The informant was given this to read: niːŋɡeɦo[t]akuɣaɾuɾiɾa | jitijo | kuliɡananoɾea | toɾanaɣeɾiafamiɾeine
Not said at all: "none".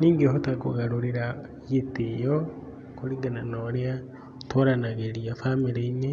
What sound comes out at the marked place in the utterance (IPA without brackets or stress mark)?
t